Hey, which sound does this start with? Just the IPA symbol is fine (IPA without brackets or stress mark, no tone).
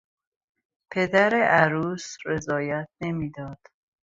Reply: pʰ